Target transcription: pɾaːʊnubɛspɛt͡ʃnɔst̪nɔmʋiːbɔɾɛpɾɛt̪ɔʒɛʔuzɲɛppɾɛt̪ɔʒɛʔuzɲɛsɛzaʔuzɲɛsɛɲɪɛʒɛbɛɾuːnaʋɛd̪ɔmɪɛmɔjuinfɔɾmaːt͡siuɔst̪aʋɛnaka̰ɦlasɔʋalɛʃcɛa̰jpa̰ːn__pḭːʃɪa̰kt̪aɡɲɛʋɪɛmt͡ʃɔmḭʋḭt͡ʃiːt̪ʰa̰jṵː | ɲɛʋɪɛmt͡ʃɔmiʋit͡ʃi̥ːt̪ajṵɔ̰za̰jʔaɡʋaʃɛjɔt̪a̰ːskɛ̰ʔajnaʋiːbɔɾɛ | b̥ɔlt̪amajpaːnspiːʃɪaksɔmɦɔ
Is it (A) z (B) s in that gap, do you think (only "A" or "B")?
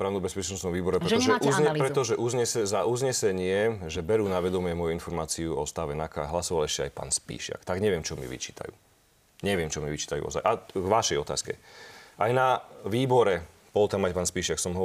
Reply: B